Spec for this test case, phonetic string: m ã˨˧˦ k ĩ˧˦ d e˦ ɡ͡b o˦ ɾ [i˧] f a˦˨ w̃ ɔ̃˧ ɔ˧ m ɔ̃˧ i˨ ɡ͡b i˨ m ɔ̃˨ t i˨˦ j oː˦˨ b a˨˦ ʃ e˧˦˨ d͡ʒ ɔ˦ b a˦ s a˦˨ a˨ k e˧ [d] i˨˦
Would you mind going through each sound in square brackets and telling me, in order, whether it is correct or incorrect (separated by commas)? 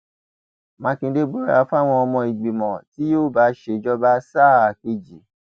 incorrect, incorrect